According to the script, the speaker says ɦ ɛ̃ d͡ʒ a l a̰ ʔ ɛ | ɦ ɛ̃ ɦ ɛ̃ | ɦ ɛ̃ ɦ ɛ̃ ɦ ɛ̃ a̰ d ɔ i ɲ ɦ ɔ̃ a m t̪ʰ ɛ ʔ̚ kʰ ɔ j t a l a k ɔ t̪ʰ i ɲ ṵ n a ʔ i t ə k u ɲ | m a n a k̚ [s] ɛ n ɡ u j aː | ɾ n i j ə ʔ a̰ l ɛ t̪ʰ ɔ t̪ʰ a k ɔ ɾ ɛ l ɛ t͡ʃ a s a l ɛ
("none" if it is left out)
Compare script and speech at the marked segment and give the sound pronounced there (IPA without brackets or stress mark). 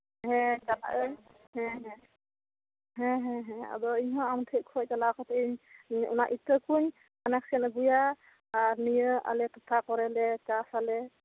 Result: s